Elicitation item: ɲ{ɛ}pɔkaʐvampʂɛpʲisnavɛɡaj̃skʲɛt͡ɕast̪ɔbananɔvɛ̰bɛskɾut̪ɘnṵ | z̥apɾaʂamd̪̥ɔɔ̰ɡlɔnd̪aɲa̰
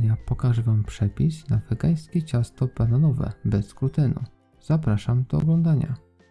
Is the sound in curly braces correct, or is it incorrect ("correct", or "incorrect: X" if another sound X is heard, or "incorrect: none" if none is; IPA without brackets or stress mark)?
incorrect: a